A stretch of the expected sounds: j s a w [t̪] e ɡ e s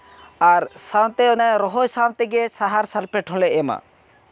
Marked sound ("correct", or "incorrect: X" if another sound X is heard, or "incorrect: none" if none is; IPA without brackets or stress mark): correct